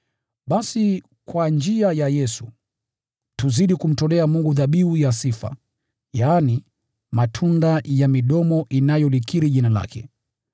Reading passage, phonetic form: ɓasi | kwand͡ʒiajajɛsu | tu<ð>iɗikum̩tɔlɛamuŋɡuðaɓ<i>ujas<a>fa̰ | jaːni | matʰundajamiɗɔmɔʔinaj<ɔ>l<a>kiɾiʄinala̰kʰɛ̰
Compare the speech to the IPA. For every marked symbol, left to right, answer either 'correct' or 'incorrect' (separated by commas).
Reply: incorrect, correct, incorrect, correct, incorrect